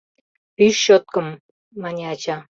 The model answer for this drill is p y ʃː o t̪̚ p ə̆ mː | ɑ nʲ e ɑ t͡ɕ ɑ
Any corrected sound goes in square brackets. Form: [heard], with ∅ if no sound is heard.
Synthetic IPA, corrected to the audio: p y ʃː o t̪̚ [k] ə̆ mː | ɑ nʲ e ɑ t͡ɕ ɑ

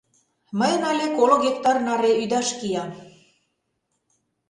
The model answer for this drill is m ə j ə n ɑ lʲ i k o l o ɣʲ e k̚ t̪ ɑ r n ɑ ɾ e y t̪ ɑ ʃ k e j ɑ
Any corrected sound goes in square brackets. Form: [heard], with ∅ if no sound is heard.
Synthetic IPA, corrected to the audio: m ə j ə n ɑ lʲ [e] k o l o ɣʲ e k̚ t̪ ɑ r n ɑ ɾ e y [d̪] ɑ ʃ k [i] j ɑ

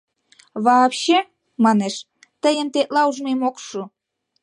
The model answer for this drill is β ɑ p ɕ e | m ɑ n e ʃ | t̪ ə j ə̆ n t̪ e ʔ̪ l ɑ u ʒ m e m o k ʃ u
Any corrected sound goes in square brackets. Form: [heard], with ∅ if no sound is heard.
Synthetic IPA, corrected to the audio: β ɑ p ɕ e | m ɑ n e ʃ | t̪ ə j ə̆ n t̪ e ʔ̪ l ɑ u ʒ m e m o k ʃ u

